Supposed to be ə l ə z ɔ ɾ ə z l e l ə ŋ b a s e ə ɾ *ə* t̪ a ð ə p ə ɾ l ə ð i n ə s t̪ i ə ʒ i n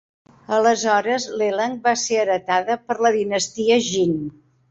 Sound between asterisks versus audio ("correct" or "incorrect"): correct